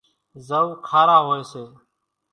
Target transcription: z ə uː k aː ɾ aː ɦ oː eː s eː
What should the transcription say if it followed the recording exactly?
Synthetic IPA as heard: z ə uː kʰ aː ɾ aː ɦ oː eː s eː